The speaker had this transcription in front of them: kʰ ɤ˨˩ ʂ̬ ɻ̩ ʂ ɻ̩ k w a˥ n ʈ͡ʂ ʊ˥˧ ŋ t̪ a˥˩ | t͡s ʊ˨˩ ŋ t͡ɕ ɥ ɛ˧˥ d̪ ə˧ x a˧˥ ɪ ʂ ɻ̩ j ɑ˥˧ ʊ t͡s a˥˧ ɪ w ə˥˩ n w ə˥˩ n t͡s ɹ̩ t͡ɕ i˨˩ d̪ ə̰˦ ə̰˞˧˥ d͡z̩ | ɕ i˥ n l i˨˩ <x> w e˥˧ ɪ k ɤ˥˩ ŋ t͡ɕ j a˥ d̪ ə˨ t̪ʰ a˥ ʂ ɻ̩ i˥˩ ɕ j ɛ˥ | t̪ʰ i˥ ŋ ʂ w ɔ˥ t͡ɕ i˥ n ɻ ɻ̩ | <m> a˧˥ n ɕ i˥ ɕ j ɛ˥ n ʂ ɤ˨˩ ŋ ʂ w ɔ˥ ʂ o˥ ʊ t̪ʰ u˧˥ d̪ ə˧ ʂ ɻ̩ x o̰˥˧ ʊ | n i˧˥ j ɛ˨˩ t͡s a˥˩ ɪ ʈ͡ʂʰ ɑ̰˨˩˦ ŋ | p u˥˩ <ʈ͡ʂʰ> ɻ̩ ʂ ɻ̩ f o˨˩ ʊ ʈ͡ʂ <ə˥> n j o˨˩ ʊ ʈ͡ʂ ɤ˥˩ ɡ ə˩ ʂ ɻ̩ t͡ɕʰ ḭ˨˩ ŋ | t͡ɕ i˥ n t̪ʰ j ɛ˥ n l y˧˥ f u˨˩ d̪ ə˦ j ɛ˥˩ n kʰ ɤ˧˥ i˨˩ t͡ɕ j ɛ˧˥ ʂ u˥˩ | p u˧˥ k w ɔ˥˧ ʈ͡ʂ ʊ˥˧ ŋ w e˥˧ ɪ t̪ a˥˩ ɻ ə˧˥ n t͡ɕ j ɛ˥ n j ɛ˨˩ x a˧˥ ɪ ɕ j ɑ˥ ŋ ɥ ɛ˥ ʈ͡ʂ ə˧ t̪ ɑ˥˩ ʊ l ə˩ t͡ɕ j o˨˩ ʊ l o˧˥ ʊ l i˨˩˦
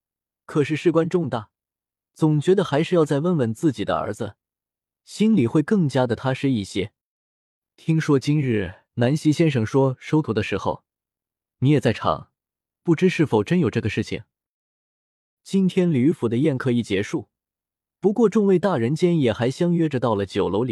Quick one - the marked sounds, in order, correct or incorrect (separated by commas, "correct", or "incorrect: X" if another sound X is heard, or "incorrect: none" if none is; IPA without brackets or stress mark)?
correct, incorrect: n, incorrect: ʈ͡ʂ, correct